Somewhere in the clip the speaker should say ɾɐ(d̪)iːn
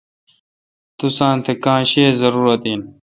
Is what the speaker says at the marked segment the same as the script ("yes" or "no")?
no